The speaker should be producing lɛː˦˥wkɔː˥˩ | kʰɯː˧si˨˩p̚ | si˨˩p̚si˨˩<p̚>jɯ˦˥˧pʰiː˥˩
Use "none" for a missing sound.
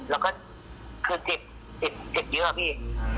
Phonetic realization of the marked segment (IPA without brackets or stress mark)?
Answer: p̚